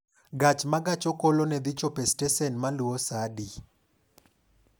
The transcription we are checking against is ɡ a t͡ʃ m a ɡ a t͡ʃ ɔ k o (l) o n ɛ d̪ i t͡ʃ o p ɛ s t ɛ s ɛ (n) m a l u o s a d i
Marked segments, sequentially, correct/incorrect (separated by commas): correct, correct